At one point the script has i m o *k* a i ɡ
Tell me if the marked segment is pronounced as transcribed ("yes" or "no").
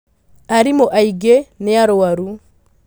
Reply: no